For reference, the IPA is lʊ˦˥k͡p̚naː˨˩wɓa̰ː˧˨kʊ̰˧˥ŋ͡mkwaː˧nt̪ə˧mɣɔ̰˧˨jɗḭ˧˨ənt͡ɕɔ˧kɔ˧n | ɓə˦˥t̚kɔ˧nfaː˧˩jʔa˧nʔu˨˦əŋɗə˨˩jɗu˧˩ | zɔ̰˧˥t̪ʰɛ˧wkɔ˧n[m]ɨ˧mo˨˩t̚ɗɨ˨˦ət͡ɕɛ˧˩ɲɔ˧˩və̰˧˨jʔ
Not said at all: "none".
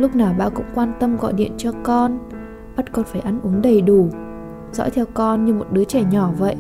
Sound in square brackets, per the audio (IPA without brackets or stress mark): ɲ